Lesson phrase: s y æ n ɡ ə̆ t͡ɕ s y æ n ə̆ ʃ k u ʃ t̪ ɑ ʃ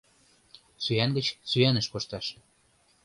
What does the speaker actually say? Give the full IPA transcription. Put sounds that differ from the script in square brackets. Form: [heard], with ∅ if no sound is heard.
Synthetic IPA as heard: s y æ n ɡ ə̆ t͡ɕ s y æ n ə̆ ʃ k [o] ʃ t̪ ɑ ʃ

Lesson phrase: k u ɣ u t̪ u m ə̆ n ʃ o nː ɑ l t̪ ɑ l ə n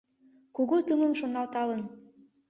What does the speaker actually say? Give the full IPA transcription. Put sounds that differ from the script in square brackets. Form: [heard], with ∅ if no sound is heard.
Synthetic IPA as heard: k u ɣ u t̪ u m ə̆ [m] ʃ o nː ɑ l t̪ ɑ l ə n

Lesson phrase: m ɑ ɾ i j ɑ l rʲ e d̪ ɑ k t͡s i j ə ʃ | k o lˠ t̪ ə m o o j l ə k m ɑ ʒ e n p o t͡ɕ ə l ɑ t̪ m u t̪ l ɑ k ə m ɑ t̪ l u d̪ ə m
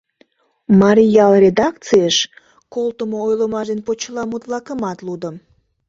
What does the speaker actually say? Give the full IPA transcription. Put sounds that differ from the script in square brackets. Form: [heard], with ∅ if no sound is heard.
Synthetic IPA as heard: m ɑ ɾ i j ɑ l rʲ e d̪ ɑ k t͡s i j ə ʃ | k o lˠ t̪ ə m o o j l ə [∅] m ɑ ʒ e n p o t͡ɕ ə l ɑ [∅] m u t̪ l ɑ k ə m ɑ t̪ l u d̪ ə m

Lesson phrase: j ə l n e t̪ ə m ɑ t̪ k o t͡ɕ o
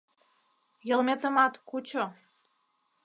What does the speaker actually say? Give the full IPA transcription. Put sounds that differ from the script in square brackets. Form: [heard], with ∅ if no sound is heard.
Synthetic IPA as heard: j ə l [m] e t̪ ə m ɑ t̪ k [u] t͡ɕ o

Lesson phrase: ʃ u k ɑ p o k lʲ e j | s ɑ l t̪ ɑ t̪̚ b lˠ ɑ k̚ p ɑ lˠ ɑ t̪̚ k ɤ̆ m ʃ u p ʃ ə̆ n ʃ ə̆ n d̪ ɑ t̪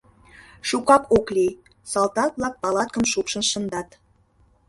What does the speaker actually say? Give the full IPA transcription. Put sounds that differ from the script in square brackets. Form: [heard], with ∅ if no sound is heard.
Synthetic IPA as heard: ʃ u k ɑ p o k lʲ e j | s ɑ l t̪ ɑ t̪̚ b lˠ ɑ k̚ p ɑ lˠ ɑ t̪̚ k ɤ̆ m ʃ u p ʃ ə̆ n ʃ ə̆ n d̪ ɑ t̪

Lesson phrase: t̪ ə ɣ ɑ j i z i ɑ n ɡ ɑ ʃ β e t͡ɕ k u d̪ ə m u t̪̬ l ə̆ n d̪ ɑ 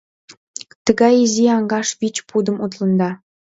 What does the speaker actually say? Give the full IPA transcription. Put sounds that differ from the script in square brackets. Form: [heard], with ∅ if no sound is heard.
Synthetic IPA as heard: t̪ ə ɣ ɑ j i z i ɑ [ŋ] ɡ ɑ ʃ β [i] t͡ɕ [p] u d̪ ə m u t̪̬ l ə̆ n d̪ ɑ

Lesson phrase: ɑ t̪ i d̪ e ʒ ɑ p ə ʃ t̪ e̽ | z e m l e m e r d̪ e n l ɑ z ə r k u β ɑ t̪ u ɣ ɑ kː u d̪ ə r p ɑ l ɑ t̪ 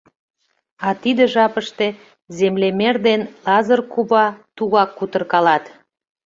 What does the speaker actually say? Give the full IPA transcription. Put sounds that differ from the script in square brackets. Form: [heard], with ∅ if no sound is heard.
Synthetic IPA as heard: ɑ t̪ i d̪ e ʒ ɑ p ə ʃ t̪ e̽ | z e m l e m e r d̪ e n l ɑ z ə r k u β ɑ t̪ u ɣ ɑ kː u [t̪] ə r [k] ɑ l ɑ t̪

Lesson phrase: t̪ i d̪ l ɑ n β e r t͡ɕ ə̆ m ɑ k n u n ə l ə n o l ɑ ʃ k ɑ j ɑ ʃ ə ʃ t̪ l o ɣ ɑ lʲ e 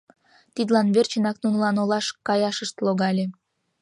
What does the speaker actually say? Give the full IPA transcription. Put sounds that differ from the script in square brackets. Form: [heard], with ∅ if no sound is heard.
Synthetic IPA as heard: t̪ i d̪ l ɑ n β e r t͡ɕ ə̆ [n] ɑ k n u n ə l [ɑ] n o l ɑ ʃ k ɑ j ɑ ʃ ə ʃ t̪ l o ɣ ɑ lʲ e

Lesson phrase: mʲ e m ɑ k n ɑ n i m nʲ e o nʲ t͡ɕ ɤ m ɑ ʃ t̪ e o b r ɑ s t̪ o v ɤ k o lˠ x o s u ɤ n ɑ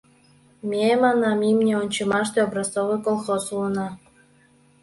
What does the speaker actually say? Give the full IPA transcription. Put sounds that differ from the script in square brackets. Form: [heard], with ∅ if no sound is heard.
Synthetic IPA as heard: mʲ e m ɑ [∅] n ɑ [m] i m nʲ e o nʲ t͡ɕ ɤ m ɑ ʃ t̪ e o b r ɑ s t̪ o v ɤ k o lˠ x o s u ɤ n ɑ

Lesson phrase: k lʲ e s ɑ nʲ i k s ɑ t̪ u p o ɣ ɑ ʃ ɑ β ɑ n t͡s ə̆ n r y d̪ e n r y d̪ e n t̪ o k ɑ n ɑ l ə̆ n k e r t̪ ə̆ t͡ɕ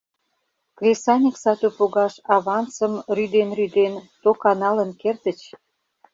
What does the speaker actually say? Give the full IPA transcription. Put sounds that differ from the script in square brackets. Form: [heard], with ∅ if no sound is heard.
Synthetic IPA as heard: k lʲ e s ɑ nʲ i k s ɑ t̪ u p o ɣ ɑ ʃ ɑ β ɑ n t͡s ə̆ [m] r y d̪ e n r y d̪ e n t̪ o k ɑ n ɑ l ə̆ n k e r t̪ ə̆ t͡ɕ

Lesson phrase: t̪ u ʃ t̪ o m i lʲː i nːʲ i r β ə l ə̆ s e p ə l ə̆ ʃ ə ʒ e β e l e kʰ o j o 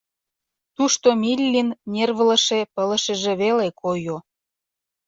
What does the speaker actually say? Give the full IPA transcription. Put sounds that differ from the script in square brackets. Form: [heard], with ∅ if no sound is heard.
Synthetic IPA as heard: t̪ u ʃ t̪ o m i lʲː i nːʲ [e] r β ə l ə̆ [ʃ] e p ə l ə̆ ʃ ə ʒ e β e l e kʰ o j o

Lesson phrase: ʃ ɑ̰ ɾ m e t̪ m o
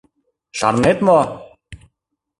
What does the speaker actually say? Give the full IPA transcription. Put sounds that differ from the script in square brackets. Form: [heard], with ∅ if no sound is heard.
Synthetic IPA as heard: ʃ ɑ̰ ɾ [n] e t̪ m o

